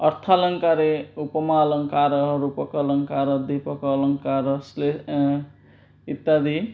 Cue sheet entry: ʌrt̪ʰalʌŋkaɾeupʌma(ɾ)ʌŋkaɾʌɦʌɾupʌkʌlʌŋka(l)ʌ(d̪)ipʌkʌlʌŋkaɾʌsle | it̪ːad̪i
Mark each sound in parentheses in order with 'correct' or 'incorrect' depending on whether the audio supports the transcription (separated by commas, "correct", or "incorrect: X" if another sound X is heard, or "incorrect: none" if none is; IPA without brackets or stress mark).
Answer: incorrect: l, incorrect: ɾ, correct